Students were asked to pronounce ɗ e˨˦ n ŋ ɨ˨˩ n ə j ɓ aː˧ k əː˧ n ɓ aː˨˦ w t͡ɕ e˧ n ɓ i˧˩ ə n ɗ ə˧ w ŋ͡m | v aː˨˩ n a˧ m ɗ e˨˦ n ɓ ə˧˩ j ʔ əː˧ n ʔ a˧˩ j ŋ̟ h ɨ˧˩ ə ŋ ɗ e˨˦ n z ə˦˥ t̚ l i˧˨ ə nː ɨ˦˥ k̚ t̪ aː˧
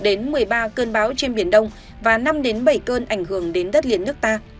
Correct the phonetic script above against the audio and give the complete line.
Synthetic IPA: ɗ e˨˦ n m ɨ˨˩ ə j ɓ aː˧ k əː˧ n ɓ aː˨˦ w t͡ɕ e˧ n ɓ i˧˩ ə n ɗ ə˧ w ŋ͡m | v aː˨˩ n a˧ m ɗ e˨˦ n ɓ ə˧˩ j k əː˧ n ʔ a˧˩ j ŋ̟ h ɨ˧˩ ə ŋ ɗ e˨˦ n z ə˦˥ t̚ l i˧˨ ə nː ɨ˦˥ k̚ t̪ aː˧